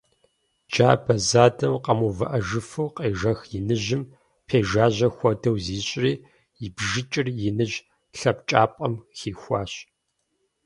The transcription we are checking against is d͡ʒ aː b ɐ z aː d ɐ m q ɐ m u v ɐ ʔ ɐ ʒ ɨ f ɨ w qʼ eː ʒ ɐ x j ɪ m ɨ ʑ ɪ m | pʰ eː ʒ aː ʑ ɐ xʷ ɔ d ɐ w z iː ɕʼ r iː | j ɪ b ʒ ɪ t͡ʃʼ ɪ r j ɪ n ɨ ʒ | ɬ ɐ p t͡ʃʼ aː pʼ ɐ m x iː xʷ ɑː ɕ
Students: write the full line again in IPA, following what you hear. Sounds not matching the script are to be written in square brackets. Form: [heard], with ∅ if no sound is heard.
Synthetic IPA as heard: d͡ʒ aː b ɐ z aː d ɐ m q ɐ m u v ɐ ʔ ɐ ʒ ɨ f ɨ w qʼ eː ʒ ɐ x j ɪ [n] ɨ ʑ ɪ m | pʰ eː ʒ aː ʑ ɐ xʷ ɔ d ɐ w z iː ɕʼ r iː | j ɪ b ʒ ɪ t͡ʃʼ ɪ r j ɪ n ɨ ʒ | ɬ ɐ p t͡ʃʼ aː pʼ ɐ m x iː xʷ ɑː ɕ